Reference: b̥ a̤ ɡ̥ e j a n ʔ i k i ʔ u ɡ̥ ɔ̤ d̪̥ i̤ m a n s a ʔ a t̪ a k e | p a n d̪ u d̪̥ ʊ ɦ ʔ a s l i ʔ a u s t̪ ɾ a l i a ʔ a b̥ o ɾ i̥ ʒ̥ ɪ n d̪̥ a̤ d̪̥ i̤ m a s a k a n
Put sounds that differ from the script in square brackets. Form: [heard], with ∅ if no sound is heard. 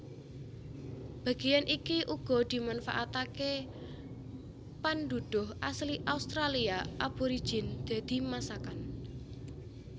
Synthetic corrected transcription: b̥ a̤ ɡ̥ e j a n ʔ i k i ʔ u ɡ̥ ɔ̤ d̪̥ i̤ m a n [f] a ʔ a t̪ a k e | p a n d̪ u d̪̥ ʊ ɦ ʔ a s l i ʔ a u s t̪ ɾ a l i a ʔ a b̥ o ɾ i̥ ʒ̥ ɪ n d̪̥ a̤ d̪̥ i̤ m a s a k a n